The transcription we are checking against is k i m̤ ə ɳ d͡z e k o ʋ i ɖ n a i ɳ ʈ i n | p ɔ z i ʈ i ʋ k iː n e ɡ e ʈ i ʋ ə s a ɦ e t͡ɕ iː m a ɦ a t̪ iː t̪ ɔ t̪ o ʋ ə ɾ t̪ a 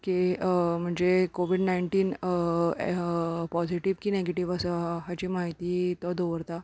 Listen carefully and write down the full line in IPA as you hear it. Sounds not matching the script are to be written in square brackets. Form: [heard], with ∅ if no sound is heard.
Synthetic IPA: k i m̤ ə ɳ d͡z e k o ʋ i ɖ n a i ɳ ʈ [iː] n | p ɔ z i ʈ i ʋ k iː n e ɡ e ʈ i ʋ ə s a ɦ [a] t͡ɕ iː m a ɦ [i] t̪ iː t̪ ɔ [d̪] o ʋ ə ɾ t̪ a

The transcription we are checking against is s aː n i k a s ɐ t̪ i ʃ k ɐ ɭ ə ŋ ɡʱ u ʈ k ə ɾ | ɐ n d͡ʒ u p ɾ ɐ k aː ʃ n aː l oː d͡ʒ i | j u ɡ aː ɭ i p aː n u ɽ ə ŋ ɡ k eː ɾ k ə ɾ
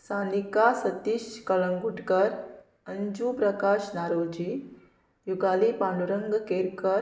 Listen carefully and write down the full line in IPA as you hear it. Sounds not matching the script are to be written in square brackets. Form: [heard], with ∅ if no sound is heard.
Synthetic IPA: s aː n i k a s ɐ t̪ i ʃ k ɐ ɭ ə ŋ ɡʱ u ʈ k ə ɾ | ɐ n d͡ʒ u p ɾ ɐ k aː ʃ n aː [ɾ] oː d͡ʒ i | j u ɡ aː [l] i p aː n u [ɾ] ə ŋ ɡ k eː ɾ k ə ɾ

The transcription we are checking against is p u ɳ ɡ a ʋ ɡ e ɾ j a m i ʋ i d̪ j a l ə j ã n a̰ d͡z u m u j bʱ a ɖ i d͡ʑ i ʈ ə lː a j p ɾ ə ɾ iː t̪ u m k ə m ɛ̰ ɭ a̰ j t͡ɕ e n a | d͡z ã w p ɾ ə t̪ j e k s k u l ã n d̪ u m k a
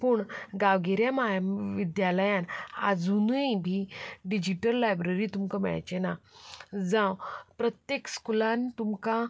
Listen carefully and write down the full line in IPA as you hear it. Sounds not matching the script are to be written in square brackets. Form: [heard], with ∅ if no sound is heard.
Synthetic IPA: p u ɳ ɡ a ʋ ɡ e ɾ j a m [a] ʋ i d̪ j a l ə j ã n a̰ d͡z u [n] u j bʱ [i] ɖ i d͡ʑ i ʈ ə lː a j [b] ɾ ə ɾ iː t̪ u m k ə m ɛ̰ ɭ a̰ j t͡ɕ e n a | d͡z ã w p ɾ ə t̪ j e k s k u l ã n [t̪] u m k a

